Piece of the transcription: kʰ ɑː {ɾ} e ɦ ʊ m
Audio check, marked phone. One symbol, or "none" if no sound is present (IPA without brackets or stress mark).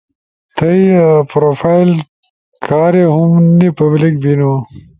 ɾ